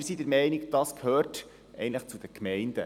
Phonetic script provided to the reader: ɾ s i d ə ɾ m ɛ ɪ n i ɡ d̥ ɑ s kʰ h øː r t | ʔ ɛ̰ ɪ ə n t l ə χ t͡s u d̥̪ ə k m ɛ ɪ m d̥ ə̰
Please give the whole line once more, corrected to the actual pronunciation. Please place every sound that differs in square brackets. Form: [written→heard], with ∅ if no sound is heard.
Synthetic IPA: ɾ s i d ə ɾ m ɛ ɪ n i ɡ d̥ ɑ s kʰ h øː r t | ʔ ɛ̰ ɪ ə n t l ə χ t͡s u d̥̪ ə k m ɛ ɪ [m→n] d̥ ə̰